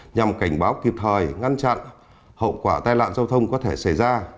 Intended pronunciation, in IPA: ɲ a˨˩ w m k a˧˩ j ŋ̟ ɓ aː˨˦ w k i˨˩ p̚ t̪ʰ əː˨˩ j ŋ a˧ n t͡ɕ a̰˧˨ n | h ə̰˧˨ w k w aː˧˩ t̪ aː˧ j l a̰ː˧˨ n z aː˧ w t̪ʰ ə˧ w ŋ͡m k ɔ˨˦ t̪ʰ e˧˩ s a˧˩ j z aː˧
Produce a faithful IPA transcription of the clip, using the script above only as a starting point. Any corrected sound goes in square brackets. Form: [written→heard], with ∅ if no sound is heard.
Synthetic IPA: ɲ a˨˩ [w→∅] m k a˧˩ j ŋ̟ ɓ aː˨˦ w k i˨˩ p̚ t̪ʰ əː˨˩ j ŋ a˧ n t͡ɕ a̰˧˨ n | h ə̰˧˨ w k w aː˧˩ t̪ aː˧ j l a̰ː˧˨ n z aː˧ w t̪ʰ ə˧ w ŋ͡m k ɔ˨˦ t̪ʰ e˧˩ s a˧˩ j z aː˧

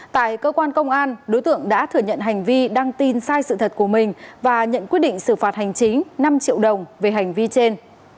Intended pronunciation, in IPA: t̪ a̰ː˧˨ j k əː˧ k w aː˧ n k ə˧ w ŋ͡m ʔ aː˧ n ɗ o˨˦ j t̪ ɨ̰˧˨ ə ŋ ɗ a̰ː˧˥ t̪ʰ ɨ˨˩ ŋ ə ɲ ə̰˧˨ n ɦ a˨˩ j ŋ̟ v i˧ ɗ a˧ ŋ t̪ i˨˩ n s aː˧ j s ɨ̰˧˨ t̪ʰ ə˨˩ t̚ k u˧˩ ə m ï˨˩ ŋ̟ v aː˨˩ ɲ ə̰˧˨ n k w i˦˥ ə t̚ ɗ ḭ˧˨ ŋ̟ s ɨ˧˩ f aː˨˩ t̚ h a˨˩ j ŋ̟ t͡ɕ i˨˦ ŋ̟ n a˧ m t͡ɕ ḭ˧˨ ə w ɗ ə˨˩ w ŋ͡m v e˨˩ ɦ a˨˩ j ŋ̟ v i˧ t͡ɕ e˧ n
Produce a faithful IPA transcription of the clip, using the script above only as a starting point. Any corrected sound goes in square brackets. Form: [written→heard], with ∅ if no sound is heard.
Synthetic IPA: t̪ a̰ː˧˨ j k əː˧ k w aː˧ n k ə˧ w ŋ͡m ʔ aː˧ n ɗ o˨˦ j t̪ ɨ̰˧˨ ə ŋ ɗ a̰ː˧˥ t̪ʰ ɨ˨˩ [ŋ→∅] ə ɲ ə̰˧˨ n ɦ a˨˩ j ŋ̟ v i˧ ɗ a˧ ŋ t̪ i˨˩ n s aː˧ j s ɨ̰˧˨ t̪ʰ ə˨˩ t̚ k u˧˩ ə m ï˨˩ ŋ̟ v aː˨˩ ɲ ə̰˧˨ n k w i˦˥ ə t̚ ɗ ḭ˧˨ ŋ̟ s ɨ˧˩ f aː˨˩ t̚ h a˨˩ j ŋ̟ t͡ɕ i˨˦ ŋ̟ n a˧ m t͡ɕ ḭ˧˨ ə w ɗ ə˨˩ w ŋ͡m v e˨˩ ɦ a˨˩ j ŋ̟ v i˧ t͡ɕ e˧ n

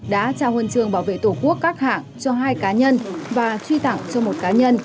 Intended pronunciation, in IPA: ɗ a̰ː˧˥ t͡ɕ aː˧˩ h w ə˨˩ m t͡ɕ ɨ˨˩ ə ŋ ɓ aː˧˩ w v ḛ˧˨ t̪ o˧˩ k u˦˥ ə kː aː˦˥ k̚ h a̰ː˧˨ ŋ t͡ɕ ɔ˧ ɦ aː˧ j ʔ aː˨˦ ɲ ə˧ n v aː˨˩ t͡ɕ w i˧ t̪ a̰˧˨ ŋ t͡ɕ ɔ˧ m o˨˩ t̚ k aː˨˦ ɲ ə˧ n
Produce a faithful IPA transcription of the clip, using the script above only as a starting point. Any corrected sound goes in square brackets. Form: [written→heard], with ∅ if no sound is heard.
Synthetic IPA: ɗ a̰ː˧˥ t͡ɕ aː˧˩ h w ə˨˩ [m→n] t͡ɕ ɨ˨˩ ə ŋ ɓ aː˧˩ w v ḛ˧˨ t̪ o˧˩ k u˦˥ ə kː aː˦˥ k̚ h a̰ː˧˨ ŋ t͡ɕ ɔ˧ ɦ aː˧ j [ʔ→k] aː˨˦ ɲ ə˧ n v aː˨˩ t͡ɕ w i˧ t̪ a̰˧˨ ŋ t͡ɕ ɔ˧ m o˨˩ t̚ k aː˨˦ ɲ ə˧ n

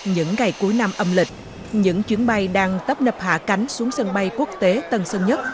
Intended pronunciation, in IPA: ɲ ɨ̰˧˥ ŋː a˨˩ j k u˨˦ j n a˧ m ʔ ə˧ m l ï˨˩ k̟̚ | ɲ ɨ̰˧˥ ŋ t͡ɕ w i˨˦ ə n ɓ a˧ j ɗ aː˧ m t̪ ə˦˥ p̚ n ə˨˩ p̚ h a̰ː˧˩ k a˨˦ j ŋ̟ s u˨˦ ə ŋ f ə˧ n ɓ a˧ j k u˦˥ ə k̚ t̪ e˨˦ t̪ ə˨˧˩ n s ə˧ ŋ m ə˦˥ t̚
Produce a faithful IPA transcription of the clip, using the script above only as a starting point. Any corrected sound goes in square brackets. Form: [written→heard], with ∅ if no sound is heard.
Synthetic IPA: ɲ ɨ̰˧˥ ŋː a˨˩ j k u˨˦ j n a˧ m ʔ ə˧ m l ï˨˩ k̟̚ | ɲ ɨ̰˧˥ ŋ t͡ɕ w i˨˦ ə n ɓ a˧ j ɗ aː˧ [m→ŋ] t̪ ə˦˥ p̚ n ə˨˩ p̚ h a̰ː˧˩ k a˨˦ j ŋ̟ s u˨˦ ə ŋ [f→s] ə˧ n ɓ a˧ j k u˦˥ ə k̚ t̪ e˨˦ t̪ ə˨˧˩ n s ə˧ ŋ [m→ɲ] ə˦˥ t̚

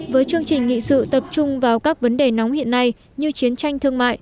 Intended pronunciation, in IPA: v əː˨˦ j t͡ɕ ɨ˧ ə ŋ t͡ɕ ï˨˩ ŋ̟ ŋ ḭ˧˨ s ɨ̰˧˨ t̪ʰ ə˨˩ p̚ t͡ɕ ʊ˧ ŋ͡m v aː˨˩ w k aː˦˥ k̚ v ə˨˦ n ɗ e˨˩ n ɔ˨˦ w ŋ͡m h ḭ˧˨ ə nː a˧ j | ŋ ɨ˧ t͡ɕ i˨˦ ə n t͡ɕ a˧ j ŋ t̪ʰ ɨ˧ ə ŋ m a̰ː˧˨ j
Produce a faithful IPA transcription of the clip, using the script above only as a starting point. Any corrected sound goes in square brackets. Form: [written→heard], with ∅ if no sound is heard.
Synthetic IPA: v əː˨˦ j t͡ɕ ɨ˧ ə ŋ t͡ɕ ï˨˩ ŋ̟ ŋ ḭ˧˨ s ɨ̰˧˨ [t̪ʰ→t̪] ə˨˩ p̚ t͡ɕ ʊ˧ ŋ͡m v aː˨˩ w k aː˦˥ k̚ v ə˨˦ n ɗ e˨˩ n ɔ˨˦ w ŋ͡m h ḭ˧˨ ə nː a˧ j | [ŋ→ɲ] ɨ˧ t͡ɕ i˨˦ ə n t͡ɕ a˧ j ŋ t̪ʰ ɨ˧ ə ŋ m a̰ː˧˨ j

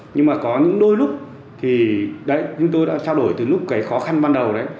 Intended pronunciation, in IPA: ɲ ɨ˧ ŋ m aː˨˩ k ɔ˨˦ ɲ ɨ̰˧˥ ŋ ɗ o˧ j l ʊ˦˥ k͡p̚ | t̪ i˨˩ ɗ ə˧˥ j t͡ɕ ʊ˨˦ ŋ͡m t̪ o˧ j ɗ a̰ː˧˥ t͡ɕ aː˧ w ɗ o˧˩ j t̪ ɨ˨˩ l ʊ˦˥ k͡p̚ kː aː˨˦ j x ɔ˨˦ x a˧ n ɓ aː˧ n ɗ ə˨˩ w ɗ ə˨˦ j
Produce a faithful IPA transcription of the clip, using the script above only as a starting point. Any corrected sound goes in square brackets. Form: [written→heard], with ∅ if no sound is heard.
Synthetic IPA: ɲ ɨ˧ ŋ m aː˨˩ k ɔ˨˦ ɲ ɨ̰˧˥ ŋ ɗ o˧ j l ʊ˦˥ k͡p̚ | [t̪→t̪ʰ] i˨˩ ɗ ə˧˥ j t͡ɕ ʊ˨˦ ŋ͡m t̪ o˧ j ɗ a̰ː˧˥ t͡ɕ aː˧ w ɗ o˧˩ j t̪ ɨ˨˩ l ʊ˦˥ k͡p̚ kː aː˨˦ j x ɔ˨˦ x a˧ n ɓ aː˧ n ɗ ə˨˩ w ɗ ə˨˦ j

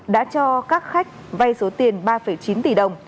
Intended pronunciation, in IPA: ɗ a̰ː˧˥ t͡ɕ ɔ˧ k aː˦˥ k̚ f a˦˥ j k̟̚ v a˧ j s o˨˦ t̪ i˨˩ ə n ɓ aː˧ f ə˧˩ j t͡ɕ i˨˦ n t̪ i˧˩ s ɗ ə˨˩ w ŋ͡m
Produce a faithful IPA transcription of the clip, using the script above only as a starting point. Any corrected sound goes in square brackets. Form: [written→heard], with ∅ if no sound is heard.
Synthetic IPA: ɗ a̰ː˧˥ t͡ɕ ɔ˧ k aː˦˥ k̚ [f→x] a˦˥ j k̟̚ v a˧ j s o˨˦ t̪ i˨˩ ə n ɓ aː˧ f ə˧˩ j t͡ɕ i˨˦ n t̪ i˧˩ [s→∅] ɗ ə˨˩ w ŋ͡m

